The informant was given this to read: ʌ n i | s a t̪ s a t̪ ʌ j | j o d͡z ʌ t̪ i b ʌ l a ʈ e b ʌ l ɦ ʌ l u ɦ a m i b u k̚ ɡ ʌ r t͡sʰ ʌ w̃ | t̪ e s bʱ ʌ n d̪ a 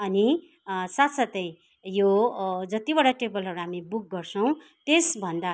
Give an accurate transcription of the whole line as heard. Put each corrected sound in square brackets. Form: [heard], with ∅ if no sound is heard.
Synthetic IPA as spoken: ʌ n i | s a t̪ s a t̪ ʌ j | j o d͡z ʌ t̪ i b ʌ [ɽ] a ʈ e b ʌ l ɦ ʌ [ɾ] u ɦ a m i b u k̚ ɡ ʌ r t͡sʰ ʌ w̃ | t̪ e s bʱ ʌ n d̪ a